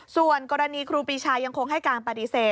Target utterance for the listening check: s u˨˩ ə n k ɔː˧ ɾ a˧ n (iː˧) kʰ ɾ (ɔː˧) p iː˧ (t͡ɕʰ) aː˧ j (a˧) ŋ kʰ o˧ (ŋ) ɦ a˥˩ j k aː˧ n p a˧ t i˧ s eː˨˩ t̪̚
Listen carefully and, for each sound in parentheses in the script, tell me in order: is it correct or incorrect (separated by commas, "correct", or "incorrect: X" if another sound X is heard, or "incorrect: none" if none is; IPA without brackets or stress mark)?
correct, incorrect: uː˧, correct, correct, correct